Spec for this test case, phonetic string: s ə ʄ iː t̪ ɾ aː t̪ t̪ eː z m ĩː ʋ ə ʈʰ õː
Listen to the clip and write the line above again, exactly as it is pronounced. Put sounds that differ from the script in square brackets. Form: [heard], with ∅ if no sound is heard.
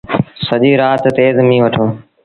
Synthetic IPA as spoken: s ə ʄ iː [∅] ɾ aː t̪ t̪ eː z m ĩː ʋ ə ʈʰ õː